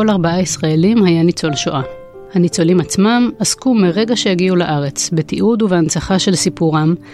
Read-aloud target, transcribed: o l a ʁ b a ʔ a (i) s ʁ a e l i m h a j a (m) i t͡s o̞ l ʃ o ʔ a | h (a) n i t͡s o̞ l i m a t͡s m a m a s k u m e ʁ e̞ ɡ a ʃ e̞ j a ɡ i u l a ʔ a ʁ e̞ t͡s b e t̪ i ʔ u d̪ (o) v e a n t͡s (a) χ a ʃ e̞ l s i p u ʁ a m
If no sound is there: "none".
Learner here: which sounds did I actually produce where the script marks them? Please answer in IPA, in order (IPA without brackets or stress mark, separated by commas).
i, n, a, u, a